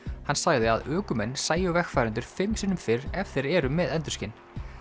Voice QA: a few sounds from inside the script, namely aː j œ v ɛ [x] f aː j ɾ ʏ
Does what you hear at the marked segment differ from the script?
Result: no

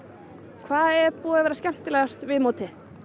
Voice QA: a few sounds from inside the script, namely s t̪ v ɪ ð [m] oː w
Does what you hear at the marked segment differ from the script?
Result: no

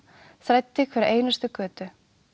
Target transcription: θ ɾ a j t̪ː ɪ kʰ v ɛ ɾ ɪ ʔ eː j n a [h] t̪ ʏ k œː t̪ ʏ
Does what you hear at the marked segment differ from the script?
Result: yes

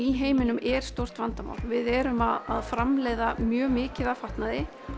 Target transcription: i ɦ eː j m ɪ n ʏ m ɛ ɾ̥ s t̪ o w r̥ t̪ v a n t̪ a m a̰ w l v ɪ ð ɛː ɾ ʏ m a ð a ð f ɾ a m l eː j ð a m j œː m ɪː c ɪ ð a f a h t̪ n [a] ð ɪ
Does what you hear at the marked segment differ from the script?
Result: no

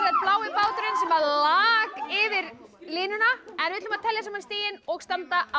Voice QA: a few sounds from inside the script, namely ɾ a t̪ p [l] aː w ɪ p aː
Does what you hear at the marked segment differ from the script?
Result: no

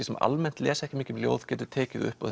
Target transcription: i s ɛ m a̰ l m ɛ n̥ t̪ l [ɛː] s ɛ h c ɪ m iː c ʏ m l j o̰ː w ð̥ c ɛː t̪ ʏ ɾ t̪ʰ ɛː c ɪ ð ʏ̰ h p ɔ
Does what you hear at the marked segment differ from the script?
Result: no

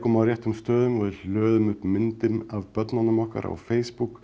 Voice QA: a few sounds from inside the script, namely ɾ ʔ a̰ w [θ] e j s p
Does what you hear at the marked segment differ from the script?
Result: yes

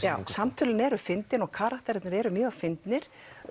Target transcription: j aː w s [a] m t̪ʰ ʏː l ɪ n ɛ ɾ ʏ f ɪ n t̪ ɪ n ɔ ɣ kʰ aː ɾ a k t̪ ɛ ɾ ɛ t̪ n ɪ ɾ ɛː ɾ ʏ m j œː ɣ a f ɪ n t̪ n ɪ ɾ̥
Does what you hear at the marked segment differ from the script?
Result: no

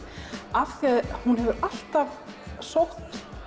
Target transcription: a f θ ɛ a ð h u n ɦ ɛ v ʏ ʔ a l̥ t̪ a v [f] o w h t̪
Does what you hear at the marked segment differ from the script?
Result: yes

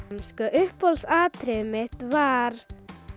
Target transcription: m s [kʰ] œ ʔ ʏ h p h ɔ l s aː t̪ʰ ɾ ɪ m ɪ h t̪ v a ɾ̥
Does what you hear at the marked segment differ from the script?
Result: yes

